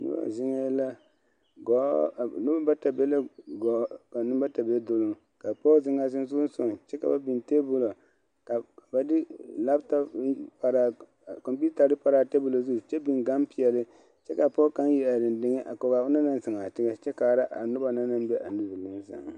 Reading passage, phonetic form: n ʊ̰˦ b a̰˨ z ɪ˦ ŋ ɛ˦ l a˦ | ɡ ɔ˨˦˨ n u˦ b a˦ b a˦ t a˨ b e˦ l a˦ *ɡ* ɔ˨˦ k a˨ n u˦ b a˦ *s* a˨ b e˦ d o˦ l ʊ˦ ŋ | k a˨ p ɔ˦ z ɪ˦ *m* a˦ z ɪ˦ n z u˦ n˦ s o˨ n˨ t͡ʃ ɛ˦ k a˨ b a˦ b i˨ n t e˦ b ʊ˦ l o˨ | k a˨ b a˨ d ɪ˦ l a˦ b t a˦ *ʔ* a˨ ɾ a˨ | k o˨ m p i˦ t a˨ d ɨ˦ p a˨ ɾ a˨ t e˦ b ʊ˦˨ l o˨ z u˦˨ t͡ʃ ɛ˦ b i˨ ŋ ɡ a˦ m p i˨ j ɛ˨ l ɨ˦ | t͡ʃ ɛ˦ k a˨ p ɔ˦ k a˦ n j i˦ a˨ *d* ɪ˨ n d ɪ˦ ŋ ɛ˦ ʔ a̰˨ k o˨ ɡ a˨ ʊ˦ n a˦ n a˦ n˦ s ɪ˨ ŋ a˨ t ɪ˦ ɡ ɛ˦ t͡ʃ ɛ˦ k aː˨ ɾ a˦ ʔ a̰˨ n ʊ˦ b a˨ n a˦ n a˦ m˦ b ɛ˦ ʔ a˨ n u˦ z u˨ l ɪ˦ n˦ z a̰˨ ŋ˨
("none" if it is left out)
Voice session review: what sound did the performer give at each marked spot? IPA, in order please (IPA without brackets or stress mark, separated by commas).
ɡ, t, ŋ, p, d